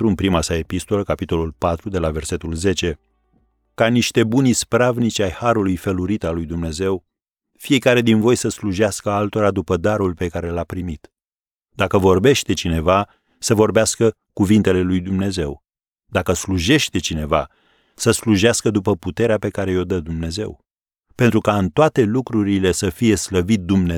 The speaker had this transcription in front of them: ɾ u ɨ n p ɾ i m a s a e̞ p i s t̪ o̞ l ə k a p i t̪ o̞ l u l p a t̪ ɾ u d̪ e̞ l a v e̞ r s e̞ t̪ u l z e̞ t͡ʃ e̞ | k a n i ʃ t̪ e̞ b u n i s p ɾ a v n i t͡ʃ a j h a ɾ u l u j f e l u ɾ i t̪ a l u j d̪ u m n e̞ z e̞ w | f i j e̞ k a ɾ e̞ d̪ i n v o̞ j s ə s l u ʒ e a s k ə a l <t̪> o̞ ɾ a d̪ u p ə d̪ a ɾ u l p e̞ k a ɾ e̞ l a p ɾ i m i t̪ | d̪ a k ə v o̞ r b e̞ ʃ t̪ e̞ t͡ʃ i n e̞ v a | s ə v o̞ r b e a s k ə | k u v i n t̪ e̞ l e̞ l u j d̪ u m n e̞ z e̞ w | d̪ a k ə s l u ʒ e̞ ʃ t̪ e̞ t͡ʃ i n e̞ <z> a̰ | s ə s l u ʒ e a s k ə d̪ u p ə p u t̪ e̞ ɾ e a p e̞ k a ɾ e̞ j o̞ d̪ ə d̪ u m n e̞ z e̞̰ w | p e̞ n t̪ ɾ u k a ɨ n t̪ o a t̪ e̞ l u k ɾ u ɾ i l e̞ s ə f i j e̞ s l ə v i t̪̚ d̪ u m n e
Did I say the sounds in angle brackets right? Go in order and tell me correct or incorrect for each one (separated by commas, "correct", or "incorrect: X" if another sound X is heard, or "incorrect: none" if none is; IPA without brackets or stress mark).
correct, incorrect: v